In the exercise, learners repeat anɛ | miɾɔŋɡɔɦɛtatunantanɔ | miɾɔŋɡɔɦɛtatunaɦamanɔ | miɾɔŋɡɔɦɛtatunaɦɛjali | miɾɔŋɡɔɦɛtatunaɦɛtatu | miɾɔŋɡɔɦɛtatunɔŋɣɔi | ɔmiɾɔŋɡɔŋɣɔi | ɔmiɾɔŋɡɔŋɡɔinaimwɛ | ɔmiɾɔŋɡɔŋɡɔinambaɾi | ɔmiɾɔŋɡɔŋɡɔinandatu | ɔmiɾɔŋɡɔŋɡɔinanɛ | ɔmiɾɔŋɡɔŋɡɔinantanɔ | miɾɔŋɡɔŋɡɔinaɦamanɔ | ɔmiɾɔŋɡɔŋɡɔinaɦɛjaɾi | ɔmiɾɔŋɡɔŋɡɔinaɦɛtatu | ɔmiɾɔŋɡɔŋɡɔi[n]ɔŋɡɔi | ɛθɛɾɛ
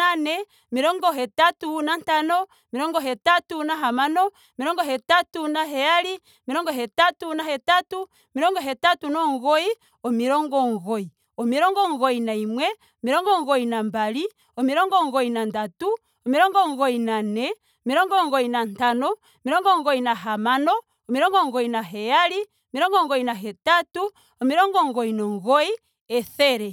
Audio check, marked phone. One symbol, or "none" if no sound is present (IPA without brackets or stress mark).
n